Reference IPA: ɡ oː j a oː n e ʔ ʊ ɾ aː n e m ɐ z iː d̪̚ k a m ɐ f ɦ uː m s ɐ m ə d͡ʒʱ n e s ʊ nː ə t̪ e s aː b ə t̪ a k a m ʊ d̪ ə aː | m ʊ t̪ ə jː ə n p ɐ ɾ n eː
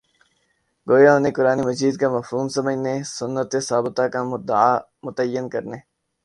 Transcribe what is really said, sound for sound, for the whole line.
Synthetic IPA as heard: ɡ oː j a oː n e k ʊ ɾ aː n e m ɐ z iː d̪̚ k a m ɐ f ɦ uː m s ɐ m ə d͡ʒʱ n e s ʊ nː ə t̪ e s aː b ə t̪ a k a m ʊ d̪ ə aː | m ʊ t̪ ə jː ə n k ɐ ɾ n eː